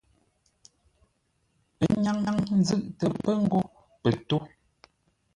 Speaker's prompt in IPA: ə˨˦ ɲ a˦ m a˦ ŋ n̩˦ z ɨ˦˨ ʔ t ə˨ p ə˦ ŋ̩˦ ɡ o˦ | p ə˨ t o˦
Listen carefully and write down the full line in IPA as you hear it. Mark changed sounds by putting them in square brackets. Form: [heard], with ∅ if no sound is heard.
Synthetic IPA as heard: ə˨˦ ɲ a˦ [ŋ] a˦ ŋ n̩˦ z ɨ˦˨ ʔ t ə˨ p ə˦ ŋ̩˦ ɡ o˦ | p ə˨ t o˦